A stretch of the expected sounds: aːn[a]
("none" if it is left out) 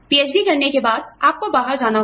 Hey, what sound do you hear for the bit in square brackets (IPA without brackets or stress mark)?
a